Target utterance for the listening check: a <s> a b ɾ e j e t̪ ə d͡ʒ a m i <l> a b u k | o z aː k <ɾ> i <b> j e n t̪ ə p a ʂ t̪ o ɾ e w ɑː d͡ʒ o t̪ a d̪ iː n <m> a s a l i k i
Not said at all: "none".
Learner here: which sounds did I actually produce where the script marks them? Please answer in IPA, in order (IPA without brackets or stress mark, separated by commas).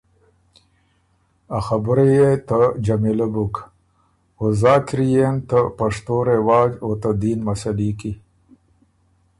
x, l, ɾ, none, m